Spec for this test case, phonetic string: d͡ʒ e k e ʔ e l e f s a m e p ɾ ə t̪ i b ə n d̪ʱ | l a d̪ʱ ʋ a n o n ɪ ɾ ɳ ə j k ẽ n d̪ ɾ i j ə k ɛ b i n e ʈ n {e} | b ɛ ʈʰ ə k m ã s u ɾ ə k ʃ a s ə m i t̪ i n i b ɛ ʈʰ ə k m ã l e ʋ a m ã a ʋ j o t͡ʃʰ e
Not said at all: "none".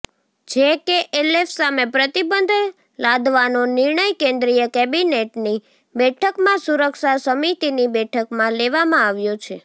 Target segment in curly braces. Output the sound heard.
i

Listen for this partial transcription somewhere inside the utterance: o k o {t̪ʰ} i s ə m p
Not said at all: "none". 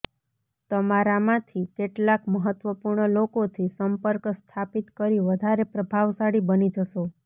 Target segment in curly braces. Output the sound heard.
t̪ʰ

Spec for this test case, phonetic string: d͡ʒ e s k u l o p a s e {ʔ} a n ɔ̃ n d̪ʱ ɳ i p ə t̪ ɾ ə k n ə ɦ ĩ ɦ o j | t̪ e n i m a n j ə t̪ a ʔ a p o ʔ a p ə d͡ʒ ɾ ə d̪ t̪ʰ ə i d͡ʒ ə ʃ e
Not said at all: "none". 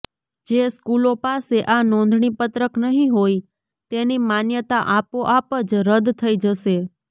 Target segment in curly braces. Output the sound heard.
ʔ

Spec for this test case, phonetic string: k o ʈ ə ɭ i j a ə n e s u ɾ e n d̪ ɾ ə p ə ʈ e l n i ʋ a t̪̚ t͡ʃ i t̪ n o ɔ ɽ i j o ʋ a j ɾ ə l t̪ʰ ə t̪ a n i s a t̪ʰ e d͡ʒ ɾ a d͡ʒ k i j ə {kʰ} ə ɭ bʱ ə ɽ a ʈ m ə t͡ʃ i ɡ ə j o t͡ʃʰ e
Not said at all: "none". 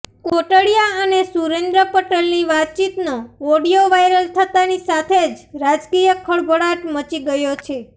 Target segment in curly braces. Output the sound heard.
kʰ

